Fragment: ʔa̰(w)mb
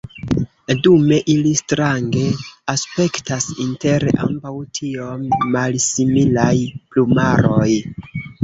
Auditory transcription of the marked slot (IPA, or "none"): none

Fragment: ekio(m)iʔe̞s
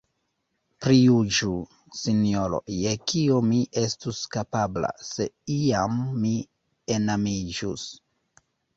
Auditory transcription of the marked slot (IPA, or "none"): m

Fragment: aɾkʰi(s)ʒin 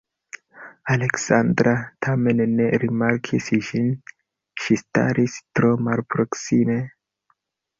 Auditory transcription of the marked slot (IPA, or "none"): s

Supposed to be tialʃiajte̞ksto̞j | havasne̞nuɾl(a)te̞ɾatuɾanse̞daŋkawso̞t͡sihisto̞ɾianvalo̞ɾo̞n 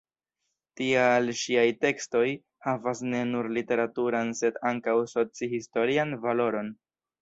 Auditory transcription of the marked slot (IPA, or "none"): i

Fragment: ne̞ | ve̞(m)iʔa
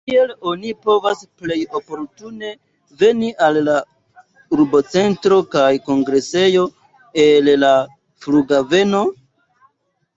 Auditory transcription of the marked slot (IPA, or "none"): n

